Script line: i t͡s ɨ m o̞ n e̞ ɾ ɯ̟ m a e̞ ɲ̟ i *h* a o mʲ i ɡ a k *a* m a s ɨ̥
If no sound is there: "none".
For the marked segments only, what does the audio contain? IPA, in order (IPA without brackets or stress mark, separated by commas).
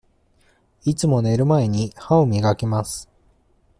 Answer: h, e